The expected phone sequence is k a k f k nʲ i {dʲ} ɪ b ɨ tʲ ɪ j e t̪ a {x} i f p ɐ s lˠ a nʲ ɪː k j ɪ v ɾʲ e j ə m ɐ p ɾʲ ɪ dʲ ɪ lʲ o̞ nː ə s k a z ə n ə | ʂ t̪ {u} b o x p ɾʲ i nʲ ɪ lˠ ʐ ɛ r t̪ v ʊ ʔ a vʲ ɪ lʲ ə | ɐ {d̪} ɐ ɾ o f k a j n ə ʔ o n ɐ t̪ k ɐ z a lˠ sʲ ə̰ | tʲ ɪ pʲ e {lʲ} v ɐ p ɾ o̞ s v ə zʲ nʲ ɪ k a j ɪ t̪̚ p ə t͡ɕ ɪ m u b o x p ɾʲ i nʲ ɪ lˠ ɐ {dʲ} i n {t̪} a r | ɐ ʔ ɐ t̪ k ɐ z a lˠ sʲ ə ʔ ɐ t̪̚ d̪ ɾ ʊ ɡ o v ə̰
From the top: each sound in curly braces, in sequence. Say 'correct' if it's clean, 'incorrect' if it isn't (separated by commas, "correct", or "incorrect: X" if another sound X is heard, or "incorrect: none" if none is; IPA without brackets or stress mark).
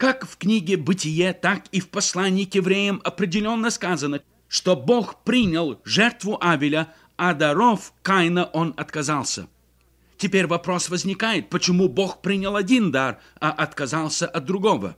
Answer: incorrect: ɡʲ, incorrect: k, incorrect: o, correct, incorrect: ɾʲ, correct, incorrect: d̪